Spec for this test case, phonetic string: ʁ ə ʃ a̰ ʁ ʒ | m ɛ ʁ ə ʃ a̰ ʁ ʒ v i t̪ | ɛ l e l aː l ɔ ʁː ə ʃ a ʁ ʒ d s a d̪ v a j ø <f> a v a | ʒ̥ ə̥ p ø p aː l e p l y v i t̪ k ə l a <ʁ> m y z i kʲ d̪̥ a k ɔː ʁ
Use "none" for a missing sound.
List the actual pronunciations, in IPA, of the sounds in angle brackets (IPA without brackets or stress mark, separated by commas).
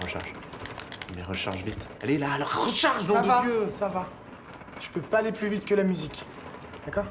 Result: s, none